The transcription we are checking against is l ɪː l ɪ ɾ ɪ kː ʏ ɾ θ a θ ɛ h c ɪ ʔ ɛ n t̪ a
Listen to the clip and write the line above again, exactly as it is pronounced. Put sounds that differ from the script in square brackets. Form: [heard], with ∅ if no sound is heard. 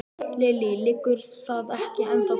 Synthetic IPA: l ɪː l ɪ [l] ɪ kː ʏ ɾ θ a [ð] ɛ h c ɪ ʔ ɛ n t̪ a

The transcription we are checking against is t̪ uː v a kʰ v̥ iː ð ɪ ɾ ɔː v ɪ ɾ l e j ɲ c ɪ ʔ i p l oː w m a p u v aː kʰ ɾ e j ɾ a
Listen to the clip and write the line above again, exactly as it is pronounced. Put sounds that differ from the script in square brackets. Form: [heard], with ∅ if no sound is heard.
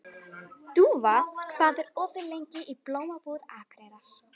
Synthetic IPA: t̪ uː v a kʰ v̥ [aː] ð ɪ ɾ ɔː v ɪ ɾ l e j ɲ c ɪ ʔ i p l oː w m a p u [ð] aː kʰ ɾ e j ɾ a

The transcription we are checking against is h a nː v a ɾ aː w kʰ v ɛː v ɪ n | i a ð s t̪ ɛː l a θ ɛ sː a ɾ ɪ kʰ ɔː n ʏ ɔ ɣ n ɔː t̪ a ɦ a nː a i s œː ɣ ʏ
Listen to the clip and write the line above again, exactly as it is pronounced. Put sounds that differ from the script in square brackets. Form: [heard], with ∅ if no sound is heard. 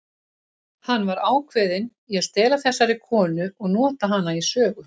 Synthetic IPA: h a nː v a ɾ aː w kʰ v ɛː [ð] ɪ n | i a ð s t̪ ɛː l a θ ɛ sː a ɾ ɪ kʰ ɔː n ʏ ɔ ɣ n ɔː t̪ a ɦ a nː a i s œː ɣ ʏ

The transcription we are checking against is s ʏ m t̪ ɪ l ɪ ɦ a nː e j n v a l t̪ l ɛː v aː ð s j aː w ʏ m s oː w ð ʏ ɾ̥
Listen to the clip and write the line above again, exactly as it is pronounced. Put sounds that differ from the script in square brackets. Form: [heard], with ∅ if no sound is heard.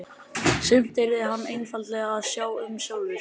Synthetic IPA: s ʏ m t̪ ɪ [ɾ] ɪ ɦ a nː e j n [f] a l t̪ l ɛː [ɣ] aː ð s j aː w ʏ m s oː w ð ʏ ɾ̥

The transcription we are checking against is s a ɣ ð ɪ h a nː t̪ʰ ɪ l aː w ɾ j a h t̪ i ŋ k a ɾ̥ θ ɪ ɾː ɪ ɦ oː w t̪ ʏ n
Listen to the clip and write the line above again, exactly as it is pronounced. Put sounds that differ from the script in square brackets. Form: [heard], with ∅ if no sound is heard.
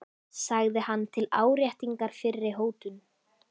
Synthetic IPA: s a ɣ ð ɪ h a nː t̪ʰ ɪ l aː w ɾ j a h t̪ i ŋ k a ɾ̥ [f] ɪ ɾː ɪ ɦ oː w t̪ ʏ n

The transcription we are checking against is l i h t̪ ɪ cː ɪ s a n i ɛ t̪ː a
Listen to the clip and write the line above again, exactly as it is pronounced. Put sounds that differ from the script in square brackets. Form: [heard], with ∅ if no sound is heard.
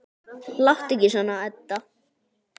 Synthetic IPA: l [a] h t̪ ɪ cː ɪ s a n [a] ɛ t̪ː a

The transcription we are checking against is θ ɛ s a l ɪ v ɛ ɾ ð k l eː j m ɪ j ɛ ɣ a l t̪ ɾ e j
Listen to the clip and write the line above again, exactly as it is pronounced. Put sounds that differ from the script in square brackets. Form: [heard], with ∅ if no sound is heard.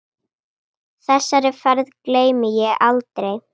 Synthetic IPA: θ ɛ [sː] a [ɾ] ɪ [f] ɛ ɾ ð k l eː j m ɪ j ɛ ɣ a l t̪ ɾ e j

